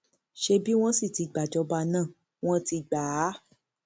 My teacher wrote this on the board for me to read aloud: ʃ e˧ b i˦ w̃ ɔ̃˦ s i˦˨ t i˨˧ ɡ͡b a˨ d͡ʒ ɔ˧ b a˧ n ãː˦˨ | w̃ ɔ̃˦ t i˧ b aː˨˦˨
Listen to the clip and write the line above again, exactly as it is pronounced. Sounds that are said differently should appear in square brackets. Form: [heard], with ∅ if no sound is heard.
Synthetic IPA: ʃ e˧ b i˦ w̃ ɔ̃˦ s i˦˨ t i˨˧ ɡ͡b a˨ d͡ʒ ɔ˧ b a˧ n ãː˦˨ | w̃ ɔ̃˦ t i˧ [ɡ͡b] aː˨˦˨